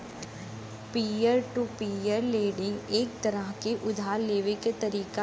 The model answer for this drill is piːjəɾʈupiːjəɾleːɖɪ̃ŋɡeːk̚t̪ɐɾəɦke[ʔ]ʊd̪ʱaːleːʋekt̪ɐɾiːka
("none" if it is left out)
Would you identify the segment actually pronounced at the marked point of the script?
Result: ʔ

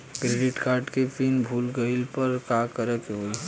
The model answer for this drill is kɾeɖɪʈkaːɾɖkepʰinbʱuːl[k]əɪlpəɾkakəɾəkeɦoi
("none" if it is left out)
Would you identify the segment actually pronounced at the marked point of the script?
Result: ɡ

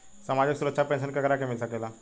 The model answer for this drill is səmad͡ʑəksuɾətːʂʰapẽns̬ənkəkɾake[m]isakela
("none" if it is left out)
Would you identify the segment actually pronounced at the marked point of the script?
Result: m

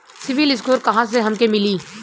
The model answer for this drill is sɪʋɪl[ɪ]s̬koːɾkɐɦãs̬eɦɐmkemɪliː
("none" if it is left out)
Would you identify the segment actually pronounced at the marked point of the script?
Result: ɪ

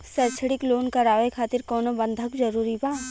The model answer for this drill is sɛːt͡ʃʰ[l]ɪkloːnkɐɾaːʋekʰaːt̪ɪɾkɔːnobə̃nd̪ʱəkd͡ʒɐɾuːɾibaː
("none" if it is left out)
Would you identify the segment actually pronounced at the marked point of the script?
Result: ɽ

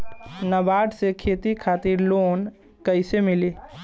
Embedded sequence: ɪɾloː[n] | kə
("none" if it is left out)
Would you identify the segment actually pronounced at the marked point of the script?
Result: n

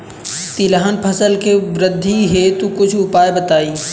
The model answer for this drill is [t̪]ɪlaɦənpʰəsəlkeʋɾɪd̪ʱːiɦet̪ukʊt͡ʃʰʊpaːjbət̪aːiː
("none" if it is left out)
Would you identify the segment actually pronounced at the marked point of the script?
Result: t̪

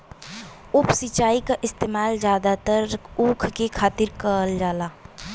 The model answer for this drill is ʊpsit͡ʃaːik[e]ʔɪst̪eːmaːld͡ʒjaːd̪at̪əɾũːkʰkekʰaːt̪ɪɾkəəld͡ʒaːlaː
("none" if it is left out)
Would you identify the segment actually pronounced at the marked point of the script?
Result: a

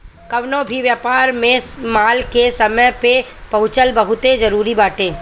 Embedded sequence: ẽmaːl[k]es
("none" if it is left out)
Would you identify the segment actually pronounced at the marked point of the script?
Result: k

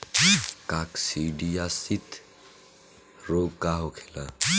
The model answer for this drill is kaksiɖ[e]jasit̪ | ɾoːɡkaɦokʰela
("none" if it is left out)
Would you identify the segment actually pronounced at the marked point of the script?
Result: i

